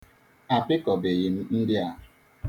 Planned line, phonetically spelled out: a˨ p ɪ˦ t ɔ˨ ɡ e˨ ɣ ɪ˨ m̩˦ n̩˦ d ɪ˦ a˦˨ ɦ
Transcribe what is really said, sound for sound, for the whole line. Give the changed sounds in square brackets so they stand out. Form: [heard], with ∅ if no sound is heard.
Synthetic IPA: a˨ p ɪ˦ [k] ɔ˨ [b] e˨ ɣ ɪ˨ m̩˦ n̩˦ d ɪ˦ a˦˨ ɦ